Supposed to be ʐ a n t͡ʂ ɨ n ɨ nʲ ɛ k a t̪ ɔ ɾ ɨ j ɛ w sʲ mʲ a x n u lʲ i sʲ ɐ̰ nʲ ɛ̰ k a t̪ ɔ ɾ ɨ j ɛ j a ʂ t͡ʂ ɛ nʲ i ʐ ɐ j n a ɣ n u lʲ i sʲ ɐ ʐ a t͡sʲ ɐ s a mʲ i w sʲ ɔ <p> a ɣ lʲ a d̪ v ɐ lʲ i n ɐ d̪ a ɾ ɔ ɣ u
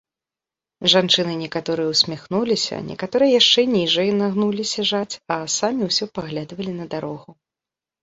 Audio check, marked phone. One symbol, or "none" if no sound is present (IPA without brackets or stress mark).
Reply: p